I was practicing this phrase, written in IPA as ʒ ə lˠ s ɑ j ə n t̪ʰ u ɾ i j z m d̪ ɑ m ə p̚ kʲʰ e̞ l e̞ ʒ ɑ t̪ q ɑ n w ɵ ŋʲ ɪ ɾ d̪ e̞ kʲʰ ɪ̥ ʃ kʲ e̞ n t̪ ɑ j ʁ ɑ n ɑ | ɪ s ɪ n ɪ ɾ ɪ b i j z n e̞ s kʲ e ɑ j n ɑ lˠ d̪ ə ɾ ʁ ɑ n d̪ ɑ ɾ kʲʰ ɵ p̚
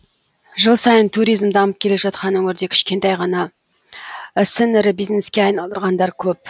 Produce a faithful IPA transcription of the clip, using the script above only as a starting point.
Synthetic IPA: ʒ ə lˠ s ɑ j ə n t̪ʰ u ɾ i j z m d̪ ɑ m ə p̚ kʲʰ e̞ l e̞ ʒ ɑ t̪ q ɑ n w ɵ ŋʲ ɪ ɾ d̪ e̞ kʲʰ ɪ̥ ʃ kʲ e̞ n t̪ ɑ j ʁ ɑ n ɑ | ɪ s ɪ n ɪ ɾ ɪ b i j z n e̞ s kʲ e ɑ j n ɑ lˠ d̪ ə ɾ ʁ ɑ n d̪ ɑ ɾ kʲʰ ɵ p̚